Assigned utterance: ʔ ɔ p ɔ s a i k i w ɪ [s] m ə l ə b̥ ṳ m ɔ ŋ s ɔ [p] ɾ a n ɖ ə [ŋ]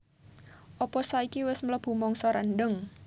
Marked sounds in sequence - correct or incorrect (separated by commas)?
correct, incorrect, correct